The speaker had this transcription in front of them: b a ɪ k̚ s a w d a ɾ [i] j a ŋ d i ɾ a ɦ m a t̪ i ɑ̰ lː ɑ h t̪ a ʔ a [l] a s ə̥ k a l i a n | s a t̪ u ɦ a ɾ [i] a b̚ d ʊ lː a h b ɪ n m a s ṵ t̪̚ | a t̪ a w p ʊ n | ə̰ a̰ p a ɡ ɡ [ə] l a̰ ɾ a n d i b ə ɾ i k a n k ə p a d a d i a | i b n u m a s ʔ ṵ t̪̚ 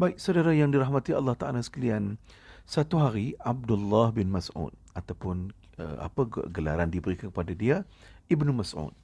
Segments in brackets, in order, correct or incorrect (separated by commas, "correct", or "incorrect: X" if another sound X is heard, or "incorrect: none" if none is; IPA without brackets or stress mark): incorrect: a, correct, correct, correct